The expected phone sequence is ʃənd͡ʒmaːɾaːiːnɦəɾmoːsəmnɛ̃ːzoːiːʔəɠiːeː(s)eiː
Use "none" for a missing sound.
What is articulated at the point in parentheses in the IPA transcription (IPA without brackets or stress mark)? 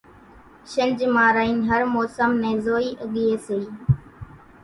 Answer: s